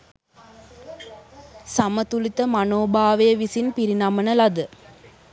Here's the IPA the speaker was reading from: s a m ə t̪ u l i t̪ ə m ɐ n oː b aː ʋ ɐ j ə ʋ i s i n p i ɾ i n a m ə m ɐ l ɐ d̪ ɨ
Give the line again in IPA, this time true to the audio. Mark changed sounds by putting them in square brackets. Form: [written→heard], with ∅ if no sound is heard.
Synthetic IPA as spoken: s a m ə t̪ u l i t̪ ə m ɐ n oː b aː ʋ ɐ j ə ʋ i s i n p i ɾ i n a m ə [m→n] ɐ l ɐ d̪ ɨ